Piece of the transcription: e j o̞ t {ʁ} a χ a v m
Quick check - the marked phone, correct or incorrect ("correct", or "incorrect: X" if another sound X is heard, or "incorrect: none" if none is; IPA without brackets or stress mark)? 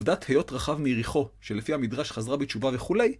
correct